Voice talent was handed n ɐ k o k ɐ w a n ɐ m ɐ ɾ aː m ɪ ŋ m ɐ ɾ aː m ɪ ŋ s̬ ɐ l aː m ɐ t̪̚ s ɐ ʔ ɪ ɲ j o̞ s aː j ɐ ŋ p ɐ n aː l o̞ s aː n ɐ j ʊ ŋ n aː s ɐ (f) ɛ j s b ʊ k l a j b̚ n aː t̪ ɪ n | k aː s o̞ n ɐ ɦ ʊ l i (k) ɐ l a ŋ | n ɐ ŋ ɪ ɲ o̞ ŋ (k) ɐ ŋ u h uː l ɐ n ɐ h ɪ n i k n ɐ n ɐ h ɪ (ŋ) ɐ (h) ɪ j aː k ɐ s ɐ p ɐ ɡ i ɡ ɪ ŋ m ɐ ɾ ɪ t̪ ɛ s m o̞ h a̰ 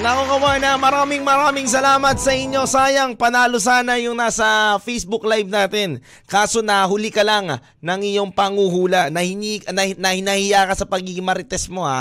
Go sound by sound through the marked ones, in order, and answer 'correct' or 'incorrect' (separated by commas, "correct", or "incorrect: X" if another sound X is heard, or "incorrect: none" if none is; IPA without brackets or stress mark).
correct, correct, incorrect: p, incorrect: n, correct